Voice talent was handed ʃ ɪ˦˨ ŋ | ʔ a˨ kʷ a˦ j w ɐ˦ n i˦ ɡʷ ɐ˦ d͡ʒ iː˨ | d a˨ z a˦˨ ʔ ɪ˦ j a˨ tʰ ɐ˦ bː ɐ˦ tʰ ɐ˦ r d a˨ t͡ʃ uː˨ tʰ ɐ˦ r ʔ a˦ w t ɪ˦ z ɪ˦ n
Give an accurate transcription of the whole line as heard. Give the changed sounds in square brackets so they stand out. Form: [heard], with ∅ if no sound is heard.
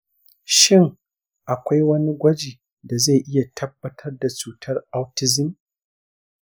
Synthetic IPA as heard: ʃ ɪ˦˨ ŋ | ʔ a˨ kʷ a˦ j w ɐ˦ n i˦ ɡʷ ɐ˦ d͡ʒ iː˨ | d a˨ z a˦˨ ʔ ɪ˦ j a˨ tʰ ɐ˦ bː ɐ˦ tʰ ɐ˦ r d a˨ t͡ʃ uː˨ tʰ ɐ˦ r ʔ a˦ w t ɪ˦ z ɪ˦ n